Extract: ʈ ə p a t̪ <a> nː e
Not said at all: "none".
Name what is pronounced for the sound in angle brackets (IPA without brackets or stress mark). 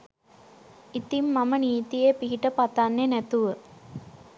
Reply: a